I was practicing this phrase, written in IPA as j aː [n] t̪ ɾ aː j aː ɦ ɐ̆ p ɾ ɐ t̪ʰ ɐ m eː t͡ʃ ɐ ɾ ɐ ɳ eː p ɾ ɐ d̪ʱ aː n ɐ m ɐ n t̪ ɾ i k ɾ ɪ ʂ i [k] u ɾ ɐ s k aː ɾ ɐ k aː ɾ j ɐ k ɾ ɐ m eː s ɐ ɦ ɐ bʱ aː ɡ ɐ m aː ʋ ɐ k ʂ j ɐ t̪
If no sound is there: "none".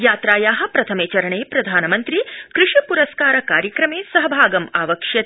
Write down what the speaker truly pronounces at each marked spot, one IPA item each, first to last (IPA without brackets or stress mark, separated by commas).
none, p